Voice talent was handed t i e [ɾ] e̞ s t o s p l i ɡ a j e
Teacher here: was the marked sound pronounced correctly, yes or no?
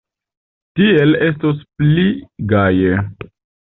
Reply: no